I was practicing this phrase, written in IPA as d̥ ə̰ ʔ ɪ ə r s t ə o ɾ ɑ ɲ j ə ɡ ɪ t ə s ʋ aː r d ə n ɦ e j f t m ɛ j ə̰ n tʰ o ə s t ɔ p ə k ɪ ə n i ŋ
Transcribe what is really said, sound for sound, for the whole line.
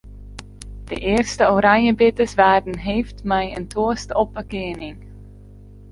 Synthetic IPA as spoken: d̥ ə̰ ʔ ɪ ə r s t ə o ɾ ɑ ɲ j ə b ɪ t ə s ʋ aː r d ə n ɦ e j f t m ɛ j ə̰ n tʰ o ə s t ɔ p ə k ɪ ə n ɪ ŋ